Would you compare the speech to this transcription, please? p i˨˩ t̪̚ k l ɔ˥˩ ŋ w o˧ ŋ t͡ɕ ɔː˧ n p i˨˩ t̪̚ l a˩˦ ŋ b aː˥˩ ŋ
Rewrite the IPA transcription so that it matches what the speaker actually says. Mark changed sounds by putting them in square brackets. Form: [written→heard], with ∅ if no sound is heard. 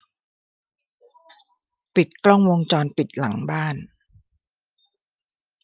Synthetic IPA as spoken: p i˨˩ t̪̚ k l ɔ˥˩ ŋ w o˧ ŋ t͡ɕ ɔː˧ n p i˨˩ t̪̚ l a˩˦ ŋ b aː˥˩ [ŋ→n]